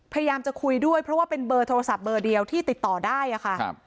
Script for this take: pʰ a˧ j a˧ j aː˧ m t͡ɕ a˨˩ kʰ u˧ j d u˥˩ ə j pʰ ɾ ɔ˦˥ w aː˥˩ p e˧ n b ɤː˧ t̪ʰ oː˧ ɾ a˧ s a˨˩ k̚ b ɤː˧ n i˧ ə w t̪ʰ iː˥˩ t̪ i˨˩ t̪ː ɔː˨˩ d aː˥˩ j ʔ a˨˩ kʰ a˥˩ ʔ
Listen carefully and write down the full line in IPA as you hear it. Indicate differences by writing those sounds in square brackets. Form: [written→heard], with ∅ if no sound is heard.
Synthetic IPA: pʰ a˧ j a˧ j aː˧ m t͡ɕ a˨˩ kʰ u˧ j d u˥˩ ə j pʰ ɾ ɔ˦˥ w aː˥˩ p e˧ n b ɤː˧ t̪ʰ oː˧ ɾ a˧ s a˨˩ [k̚→p̚] b ɤː˧ [n→d] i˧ ə w t̪ʰ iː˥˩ t̪ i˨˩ t̪ː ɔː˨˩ d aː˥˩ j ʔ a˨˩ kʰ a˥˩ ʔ